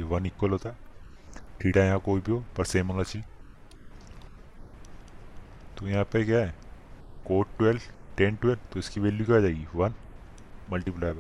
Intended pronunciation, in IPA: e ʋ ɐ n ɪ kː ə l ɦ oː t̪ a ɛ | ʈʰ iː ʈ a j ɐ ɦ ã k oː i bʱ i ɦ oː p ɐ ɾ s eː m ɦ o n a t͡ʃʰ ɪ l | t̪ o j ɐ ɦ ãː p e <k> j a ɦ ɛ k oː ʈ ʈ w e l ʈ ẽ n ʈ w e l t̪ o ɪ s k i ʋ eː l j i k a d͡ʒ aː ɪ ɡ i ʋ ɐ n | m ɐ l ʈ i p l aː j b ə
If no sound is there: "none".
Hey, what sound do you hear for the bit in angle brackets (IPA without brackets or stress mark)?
k